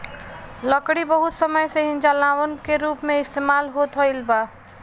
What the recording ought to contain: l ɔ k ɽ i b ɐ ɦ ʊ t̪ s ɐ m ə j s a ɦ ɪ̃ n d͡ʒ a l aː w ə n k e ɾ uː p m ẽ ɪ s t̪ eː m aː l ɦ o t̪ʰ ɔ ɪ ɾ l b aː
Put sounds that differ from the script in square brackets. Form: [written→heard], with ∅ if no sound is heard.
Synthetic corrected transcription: l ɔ k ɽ i b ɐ ɦ ʊ t̪ s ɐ m ə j s [a→e] ɦ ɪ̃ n d͡ʒ a l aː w ə n k e ɾ uː p m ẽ ɪ s t̪ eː m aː l ɦ o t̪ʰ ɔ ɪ [ɾ→∅] l b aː

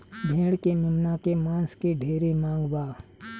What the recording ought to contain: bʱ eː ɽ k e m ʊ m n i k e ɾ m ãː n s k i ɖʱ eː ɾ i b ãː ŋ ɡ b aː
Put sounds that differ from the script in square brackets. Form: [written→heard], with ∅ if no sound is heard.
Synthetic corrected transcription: bʱ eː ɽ k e m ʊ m n [i→a] k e [ɾ→∅] m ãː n s k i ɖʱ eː ɾ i [b→m] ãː ŋ ɡ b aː

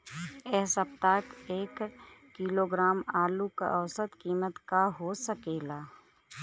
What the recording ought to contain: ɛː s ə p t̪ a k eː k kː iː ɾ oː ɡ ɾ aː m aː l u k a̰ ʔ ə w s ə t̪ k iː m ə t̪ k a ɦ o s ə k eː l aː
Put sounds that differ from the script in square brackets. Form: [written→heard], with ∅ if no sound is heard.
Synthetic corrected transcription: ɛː s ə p t̪ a k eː k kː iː [ɾ→l] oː ɡ ɾ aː m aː l u k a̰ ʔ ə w s ə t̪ k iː m ə t̪ k a ɦ o s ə k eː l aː

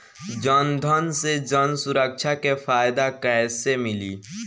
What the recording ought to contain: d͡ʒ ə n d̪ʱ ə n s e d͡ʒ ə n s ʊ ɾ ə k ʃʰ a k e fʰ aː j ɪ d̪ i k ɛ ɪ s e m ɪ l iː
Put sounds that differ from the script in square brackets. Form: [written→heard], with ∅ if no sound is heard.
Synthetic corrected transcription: d͡ʒ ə n d̪ʱ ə n s e d͡ʒ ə n s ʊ ɾ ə k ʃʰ a k e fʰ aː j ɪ d̪ [i→a] k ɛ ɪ s e m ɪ l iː

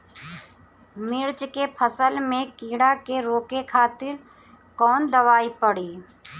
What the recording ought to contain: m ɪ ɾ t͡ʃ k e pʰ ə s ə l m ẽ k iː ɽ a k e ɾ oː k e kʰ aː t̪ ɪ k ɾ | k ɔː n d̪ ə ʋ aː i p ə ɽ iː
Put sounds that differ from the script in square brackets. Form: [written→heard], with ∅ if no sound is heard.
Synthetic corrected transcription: m ɪ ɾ t͡ʃ k e pʰ ə s ə l m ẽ k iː ɽ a k e ɾ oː k e kʰ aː t̪ ɪ [k→∅] ɾ | k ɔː n d̪ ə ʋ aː i p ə ɽ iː

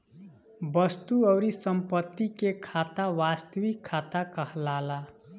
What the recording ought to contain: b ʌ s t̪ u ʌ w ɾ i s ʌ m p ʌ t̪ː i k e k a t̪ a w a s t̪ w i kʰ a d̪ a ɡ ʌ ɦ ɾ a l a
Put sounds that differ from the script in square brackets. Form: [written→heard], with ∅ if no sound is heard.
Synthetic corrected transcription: b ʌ s t̪ u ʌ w ɾ i s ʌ m p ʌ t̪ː i k e [k→kʰ] a t̪ a w a s t̪ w i kʰ a [d̪→t̪] a [ɡ→k] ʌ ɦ [ɾ→l] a l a

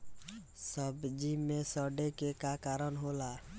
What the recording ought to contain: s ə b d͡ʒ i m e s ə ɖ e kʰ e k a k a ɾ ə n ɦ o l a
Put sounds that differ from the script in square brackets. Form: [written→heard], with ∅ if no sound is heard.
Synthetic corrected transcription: s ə b d͡ʒ i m e s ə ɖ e [kʰ→k] e k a k a ɾ ə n ɦ o l a

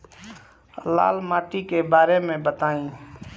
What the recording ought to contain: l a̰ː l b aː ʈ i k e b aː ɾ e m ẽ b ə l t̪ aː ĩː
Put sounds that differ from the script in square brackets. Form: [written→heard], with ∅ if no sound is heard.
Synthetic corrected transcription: l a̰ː l [b→m] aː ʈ i k e b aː ɾ e m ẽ b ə [l→∅] t̪ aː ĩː

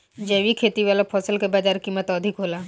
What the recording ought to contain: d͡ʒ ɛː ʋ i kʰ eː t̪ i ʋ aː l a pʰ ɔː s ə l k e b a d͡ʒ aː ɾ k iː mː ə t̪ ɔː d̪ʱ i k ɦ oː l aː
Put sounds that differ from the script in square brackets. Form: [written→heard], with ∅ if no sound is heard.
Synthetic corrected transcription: d͡ʒ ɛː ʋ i kʰ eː t̪ i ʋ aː l a pʰ ɔː s ə l k e b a d͡ʒ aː ɾ k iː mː ə t̪ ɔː d̪ʱ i k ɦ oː l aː

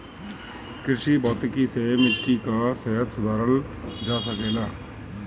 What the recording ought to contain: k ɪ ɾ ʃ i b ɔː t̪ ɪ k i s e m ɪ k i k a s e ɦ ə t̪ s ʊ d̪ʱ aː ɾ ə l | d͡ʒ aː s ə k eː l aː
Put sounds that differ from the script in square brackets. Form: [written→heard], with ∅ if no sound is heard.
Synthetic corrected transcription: k ɪ ɾ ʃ i b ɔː t̪ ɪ k i s e m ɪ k i k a s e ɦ ə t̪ s ʊ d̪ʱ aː ɾ ə l | d͡ʒ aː s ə k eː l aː

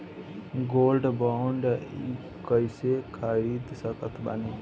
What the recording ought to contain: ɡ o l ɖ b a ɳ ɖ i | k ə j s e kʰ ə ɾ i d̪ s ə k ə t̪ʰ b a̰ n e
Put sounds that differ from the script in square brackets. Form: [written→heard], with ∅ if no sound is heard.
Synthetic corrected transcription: ɡ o l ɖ b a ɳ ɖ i | k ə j s e kʰ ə ɾ i d̪ s ə k ə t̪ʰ b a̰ n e

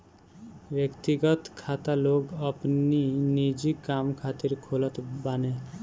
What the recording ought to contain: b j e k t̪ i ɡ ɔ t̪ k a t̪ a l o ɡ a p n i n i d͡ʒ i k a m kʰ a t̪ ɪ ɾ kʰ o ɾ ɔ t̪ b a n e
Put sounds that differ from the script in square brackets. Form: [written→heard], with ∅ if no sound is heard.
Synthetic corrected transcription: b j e k t̪ i ɡ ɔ t̪ [k→kʰ] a t̪ a l o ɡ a p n i n i d͡ʒ i k a m kʰ a t̪ [ɪ→i] ɾ kʰ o [ɾ→l] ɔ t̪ b a n e

